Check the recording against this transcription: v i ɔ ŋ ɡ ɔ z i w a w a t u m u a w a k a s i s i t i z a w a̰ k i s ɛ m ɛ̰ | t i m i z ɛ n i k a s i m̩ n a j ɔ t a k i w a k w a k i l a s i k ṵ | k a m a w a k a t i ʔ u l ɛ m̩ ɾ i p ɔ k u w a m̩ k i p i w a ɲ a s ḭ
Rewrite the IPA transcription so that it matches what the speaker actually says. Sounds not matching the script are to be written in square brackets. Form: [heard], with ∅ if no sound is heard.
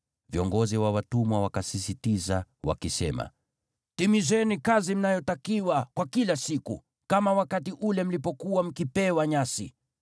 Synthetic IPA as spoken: v i ɔ ŋ ɡ ɔ z i w a w a t u m [w] a w a k a s i s i t i z a w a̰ k i s ɛ m [a̰] | t i m i z ɛ n i k a [z] i m̩ n a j ɔ t a k i w a k w a k i l a s i k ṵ | k a m a w a k a t i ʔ u l ɛ m̩ [l] i p ɔ k u w a m̩ k i p [ɛ] w a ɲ a s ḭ